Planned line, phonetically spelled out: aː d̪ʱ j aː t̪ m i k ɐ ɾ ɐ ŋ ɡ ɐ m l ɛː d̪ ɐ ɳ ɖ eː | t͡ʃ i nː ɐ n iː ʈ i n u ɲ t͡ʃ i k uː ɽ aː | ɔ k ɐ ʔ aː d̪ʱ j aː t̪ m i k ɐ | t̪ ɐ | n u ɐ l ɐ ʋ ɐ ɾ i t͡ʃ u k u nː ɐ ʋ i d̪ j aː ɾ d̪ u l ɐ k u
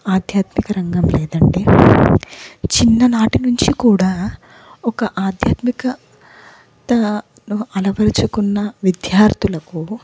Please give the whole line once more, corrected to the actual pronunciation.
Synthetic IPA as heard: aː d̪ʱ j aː t̪ m i k ɐ ɾ ɐ ŋ ɡ ɐ m l ɛː d̪ ɐ ɳ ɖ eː | t͡ʃ i nː ɐ n aː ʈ i n u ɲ t͡ʃ i k uː ɽ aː | ɔ k ɐ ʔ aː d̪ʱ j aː t̪ m i k ɐ | t̪ ɐ | n u ɐ l ɐ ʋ ɐ ɾ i t͡ʃ u k u nː ɐ ʋ i d̪ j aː ɾ t̪ u l ɐ k u

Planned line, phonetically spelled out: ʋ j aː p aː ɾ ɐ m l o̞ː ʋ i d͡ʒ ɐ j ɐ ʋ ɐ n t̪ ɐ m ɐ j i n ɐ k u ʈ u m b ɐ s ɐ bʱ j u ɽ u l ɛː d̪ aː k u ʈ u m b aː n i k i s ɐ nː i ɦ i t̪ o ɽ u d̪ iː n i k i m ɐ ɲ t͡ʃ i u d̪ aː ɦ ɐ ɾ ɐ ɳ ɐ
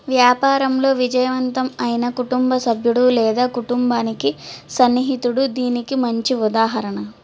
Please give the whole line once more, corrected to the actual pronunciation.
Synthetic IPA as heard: ʋ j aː p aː ɾ ɐ m l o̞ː ʋ i d͡ʒ ɐ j ɐ ʋ ɐ n t̪ ɐ m ɐ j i n ɐ k u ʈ u m b ɐ s ɐ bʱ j u ɽ u l ɛː d̪ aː k u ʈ u m b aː n i k i s ɐ nː i ɦ i t̪ u ɽ u d̪ iː n i k i m ɐ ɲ t͡ʃ i u d̪ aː ɦ ɐ ɾ ɐ ɳ ɐ

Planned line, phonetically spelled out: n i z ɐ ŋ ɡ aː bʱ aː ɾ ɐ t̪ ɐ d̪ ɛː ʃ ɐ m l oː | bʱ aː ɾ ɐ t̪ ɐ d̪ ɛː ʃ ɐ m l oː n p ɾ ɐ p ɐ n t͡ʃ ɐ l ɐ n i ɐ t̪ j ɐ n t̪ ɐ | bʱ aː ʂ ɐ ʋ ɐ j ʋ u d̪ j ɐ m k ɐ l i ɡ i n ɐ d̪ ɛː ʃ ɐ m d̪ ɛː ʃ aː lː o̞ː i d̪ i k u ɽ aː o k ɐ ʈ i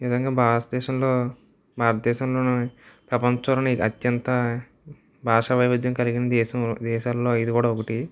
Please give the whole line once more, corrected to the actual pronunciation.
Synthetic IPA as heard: n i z ɐ ŋ ɡ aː bʱ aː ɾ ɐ t̪ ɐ d̪ ɛː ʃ ɐ m l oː | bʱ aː ɾ ɐ t̪ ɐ d̪ ɛː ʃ ɐ m l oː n p ɾ ɐ p ɐ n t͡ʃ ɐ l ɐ n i ɐ t̪ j ɐ n t̪ ɐ | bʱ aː ʂ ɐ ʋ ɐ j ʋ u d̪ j ɐ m k ɐ l i ɡ i n ɐ d̪ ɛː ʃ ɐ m d̪ ɛː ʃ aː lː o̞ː i d̪ i k uː ɽ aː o k ɐ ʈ i

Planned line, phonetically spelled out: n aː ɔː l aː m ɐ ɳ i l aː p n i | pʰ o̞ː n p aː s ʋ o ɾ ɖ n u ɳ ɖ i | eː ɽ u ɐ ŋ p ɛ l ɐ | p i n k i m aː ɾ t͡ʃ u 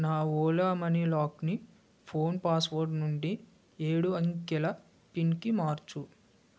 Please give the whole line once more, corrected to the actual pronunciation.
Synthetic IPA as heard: n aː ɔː l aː m ɐ n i l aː k n i | pʰ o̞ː n p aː s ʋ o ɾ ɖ n u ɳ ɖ i | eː ɽ u ɐ ŋ k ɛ l ɐ | p i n k i m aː ɾ t͡ʃ u

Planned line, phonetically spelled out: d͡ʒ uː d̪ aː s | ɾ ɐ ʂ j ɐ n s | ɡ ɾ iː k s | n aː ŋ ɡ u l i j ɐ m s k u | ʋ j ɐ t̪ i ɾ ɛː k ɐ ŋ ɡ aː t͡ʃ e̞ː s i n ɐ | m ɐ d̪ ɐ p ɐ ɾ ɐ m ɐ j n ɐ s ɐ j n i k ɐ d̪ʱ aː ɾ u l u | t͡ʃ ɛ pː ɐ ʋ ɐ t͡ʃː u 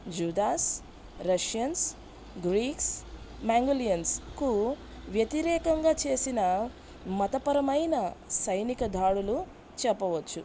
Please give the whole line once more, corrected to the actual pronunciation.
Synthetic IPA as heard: d͡ʒ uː d̪ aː s | ɾ ɐ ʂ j ɐ n s | ɡ ɾ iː k s | m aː ŋ ɡ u l i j ɐ n s k u | ʋ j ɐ t̪ i ɾ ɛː k ɐ ŋ ɡ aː t͡ʃ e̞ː s i n ɐ | m ɐ t̪ ɐ p ɐ ɾ ɐ m ɐ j n ɐ s ɐ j n i k ɐ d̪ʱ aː ɽ u l u | t͡ʃ ɛ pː ɐ ʋ ɐ t͡ʃː u

